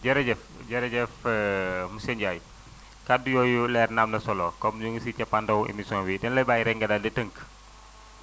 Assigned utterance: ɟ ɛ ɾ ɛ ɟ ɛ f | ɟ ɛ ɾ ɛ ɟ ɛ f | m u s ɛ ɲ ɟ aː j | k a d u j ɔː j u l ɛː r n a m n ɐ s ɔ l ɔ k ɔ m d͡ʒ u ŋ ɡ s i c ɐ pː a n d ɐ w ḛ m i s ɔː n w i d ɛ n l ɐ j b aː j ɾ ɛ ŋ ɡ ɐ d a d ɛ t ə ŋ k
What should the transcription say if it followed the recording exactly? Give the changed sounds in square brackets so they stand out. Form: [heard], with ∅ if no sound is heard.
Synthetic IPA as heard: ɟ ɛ ɾ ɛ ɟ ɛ f | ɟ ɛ ɾ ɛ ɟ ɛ f | m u s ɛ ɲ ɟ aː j | k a d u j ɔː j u l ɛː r n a m n ɐ s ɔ l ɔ k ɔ m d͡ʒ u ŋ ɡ s i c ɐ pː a n d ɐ w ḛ m i s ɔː n w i d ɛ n l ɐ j b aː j ɾ ɛ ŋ ɡ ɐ d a d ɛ t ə ŋ k